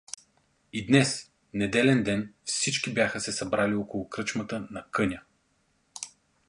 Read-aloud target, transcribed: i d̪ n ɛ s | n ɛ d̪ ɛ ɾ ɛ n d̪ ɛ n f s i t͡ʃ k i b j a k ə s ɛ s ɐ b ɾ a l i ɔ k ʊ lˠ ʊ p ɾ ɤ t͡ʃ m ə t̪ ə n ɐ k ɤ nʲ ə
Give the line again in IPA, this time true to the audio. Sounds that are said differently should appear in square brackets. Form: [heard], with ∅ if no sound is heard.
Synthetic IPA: i d̪ n ɛ s | n ɛ d̪ ɛ [l] ɛ n d̪ ɛ n f s i t͡ʃ k i b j a [x] ə s ɛ s ɐ b ɾ a l i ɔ k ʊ lˠ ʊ [k] ɾ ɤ t͡ʃ m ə t̪ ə n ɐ k ɤ nʲ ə